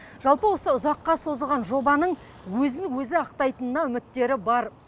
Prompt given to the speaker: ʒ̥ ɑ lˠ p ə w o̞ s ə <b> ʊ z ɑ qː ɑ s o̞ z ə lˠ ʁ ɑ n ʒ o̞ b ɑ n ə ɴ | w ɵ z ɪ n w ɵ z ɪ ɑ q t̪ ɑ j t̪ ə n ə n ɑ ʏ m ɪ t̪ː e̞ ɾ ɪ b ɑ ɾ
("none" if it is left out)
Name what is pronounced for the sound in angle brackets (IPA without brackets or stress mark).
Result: none